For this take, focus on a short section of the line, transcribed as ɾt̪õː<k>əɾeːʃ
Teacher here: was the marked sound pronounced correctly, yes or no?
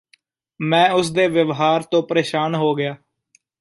no